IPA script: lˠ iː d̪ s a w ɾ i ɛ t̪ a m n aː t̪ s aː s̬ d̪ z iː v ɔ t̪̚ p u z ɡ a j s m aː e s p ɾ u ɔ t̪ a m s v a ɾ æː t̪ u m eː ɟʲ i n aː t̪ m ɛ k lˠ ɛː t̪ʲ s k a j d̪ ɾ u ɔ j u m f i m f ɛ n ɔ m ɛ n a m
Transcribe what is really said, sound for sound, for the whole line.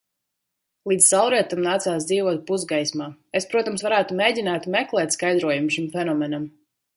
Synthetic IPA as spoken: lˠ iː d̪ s a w ɾ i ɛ t̪ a m n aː t̪ s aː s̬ d̪ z iː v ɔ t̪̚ p u z ɡ a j s m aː e s p ɾ u ɔ t̪ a m s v a ɾ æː t̪ u m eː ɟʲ i n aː t̪ m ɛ k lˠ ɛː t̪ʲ s k a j d̪ ɾ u ɔ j u m ʃ i m f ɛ n ɔ m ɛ n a m